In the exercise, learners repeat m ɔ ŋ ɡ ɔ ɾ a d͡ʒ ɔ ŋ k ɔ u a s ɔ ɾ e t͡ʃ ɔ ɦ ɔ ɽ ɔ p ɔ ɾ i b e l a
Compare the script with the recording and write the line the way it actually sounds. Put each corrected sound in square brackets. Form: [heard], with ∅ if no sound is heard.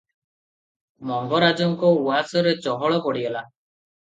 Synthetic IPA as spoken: m ɔ ŋ ɡ ɔ ɾ a d͡ʒ ɔ ŋ k ɔ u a s ɔ ɾ e t͡ʃ ɔ ɦ ɔ [ɭ] ɔ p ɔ [ɽ] i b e l a